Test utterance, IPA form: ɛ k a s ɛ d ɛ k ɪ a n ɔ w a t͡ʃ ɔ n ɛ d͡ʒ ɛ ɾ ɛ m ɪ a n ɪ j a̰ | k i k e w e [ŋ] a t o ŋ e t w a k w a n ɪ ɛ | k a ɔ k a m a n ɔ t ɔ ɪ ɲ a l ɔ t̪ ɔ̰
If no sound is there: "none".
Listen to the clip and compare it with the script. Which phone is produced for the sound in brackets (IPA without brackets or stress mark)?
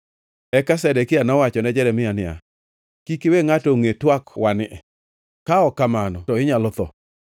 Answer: ŋ